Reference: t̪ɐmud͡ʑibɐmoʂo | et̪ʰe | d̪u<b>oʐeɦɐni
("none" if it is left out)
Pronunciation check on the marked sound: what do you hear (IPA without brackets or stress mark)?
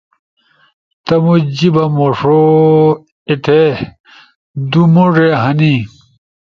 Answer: m